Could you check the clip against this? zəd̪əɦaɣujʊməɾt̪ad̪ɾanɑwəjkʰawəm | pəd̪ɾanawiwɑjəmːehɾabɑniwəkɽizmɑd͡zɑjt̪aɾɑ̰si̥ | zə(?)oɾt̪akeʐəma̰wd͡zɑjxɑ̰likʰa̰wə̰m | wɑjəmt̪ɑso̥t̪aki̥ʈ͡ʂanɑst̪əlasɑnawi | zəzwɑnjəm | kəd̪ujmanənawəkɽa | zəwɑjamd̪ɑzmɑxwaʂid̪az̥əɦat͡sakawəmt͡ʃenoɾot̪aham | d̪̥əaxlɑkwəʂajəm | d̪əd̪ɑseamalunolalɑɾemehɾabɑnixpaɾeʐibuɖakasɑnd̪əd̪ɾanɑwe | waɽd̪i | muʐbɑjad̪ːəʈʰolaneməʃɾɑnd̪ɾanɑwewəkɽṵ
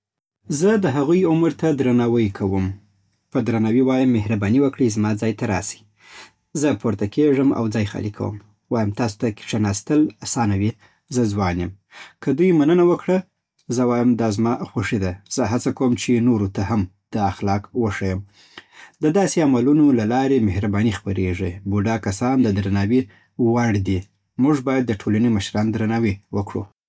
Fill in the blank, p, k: p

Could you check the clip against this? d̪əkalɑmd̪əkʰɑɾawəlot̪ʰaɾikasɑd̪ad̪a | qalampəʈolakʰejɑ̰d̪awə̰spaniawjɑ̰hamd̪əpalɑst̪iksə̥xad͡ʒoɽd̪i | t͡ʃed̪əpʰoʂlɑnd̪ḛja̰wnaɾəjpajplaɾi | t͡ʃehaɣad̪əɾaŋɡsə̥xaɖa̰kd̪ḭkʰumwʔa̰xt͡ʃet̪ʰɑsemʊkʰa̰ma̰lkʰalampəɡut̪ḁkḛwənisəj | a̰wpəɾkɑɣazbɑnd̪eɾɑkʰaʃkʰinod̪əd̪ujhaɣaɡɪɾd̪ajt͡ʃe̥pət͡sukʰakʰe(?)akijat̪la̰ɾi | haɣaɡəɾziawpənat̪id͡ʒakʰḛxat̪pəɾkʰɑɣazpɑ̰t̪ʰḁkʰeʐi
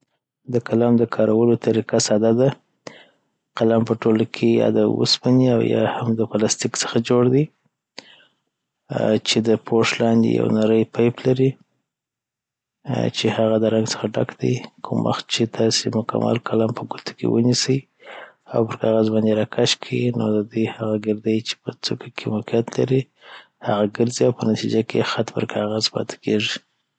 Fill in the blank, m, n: m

